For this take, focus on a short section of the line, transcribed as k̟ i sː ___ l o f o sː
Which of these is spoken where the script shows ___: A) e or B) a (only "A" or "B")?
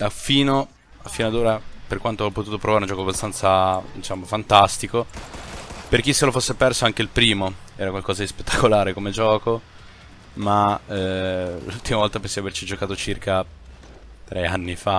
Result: A